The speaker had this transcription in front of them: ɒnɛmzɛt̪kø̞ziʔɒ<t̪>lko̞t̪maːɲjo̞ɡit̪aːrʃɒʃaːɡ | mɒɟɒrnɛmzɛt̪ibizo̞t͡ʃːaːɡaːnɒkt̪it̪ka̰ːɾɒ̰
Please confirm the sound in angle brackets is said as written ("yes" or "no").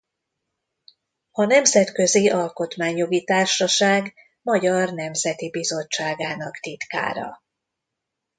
no